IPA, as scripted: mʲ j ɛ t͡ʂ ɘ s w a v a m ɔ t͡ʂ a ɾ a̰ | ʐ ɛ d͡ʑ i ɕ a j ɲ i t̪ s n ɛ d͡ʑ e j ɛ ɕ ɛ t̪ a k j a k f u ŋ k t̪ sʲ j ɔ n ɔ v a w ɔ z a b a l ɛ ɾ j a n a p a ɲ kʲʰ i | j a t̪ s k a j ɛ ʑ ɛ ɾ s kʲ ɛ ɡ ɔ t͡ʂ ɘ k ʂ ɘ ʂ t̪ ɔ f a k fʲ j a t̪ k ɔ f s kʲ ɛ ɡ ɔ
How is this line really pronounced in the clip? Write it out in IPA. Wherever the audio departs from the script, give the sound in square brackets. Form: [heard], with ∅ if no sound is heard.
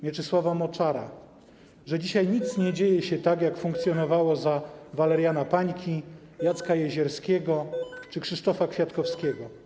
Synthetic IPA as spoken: mʲ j ɛ t͡ʂ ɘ s w a v a m ɔ t͡ʂ a ɾ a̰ | ʐ ɛ d͡ʑ i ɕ a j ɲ i t̪ s [ɲ] ɛ d͡ʑ e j ɛ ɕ ɛ t̪ a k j a k f u ŋ k t̪ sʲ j ɔ n ɔ v a w ɔ z a [v] a l ɛ ɾ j a n a p a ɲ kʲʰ i | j a t̪ s k a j ɛ ʑ ɛ ɾ s kʲ ɛ ɡ ɔ t͡ʂ ɘ k ʂ ɘ ʂ t̪ ɔ f a k fʲ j a t̪ k ɔ f s kʲ ɛ ɡ ɔ